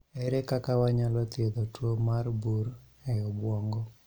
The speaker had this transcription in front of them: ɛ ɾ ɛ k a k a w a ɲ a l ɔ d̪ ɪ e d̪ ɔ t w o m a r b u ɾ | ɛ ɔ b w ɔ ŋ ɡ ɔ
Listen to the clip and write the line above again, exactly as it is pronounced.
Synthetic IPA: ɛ ɾ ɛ k a k a w a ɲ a l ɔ t̪ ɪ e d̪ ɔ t w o m a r b u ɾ | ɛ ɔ b w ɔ ŋ ɡ ɔ